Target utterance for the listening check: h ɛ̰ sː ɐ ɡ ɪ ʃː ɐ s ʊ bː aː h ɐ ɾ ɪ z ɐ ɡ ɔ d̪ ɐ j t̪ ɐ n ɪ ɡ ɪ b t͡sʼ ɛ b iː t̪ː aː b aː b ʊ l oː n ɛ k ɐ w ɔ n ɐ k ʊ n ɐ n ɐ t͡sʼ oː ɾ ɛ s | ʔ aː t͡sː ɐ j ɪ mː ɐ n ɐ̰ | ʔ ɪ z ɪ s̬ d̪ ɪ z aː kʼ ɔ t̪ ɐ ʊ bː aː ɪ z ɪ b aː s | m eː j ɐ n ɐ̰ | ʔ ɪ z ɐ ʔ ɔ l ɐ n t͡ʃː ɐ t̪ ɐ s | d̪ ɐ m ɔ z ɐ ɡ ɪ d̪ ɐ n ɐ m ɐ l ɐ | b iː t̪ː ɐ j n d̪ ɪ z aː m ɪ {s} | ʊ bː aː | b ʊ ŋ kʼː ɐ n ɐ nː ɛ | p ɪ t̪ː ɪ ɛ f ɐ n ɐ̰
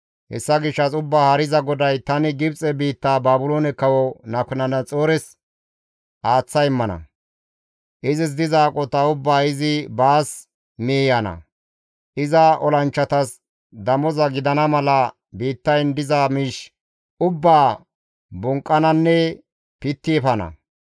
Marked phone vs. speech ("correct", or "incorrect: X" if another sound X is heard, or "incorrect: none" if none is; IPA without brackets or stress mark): incorrect: ʃ